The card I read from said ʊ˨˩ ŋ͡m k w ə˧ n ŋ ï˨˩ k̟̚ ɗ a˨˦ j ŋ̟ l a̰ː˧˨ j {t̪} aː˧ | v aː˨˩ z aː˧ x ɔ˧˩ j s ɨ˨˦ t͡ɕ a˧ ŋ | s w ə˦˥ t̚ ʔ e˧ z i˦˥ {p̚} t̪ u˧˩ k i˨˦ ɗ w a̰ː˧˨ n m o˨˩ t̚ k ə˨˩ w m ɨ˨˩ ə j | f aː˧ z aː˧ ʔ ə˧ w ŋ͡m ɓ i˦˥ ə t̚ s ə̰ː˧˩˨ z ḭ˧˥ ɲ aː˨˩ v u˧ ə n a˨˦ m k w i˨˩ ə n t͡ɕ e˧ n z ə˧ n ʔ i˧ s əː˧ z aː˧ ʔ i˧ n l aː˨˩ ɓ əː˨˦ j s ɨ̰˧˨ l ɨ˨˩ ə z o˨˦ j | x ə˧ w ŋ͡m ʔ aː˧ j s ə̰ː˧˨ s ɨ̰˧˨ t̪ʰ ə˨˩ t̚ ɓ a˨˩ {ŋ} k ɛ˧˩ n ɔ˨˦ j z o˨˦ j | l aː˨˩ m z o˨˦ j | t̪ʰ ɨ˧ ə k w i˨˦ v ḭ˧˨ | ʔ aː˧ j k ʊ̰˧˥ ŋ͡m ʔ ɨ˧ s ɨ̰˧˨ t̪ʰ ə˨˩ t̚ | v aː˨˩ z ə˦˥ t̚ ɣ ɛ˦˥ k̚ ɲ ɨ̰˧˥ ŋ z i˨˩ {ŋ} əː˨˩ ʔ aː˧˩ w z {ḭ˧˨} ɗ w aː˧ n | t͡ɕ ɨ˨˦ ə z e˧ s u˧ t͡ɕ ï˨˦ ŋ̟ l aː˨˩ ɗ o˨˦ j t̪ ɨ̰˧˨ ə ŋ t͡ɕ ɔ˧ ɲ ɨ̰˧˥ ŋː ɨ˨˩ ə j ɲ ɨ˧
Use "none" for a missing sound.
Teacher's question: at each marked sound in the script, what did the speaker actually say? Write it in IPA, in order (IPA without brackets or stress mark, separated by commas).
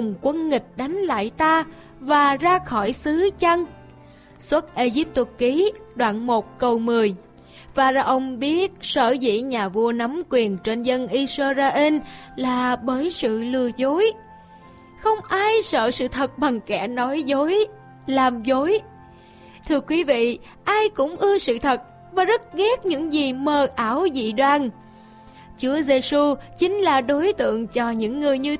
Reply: t̪, p̚, ŋ, m, ḭ˧˨